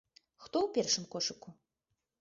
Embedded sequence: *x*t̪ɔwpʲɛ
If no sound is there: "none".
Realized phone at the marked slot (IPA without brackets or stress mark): x